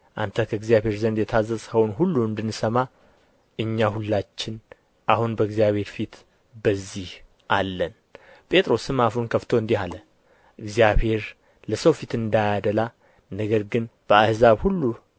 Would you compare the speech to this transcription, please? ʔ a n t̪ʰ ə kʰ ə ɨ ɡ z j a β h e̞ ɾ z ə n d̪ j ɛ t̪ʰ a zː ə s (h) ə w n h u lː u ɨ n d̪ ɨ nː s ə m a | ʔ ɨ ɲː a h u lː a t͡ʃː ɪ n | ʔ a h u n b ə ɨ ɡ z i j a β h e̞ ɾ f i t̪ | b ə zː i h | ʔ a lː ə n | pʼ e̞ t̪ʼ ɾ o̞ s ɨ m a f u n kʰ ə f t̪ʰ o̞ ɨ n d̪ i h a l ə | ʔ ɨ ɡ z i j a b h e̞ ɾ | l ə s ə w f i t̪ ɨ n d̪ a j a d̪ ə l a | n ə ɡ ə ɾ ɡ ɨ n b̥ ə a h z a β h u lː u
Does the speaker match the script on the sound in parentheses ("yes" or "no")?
yes